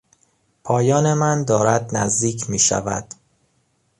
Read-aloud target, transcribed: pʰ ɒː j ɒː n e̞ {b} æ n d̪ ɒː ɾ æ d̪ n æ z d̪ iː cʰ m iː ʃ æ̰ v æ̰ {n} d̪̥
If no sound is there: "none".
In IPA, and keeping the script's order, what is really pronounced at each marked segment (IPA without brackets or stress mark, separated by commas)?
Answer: m, none